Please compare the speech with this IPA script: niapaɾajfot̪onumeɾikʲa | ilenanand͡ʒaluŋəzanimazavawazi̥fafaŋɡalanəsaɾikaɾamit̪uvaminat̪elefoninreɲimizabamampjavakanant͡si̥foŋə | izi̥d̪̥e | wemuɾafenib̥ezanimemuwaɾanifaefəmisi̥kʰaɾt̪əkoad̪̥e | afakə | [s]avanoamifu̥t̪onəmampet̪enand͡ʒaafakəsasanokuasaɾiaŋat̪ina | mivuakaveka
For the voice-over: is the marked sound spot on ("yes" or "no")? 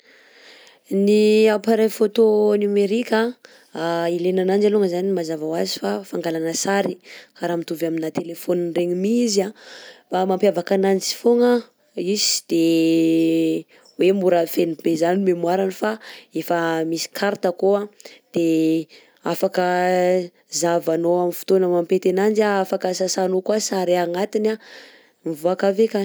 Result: no